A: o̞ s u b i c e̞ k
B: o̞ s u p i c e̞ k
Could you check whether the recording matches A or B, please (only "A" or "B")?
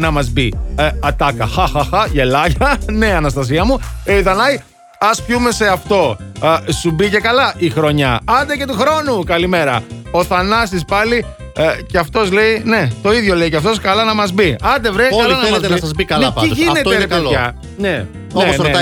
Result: A